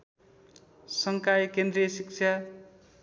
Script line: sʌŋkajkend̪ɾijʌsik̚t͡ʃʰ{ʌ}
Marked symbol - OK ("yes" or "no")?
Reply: no